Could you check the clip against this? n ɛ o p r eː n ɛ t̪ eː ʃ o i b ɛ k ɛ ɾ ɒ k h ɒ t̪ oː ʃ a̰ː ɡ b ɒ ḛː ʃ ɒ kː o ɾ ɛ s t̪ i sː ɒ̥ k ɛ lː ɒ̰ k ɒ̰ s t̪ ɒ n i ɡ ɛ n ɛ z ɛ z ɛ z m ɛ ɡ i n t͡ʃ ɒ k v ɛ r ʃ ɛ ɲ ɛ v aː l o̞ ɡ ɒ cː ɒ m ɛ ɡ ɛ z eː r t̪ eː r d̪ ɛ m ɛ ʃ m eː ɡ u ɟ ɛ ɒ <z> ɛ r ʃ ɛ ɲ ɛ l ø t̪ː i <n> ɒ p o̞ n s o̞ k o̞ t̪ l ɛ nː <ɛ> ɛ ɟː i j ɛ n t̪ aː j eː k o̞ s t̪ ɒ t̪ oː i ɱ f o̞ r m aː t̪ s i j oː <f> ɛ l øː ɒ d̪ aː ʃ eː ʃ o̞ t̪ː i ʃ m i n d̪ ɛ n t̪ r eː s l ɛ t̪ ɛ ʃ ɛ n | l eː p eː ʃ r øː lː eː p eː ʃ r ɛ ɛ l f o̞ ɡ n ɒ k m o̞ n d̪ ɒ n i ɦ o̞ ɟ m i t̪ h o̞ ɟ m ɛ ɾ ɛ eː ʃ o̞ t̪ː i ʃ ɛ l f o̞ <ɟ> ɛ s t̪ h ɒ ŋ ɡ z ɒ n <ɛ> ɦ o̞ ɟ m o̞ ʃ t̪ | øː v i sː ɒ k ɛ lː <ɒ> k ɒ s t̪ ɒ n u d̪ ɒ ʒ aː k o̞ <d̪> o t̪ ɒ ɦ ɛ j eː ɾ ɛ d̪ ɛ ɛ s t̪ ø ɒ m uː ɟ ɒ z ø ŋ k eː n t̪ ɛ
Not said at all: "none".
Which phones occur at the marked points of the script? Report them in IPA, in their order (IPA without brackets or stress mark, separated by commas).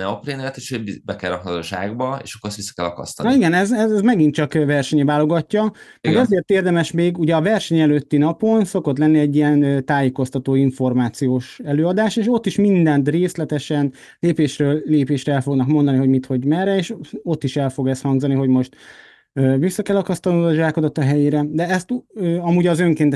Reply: v, n, i, ʃ, ɡ, i, ɒ, d̪